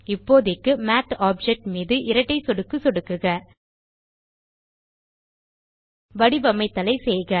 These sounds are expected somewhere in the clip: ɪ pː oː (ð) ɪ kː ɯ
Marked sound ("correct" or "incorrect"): correct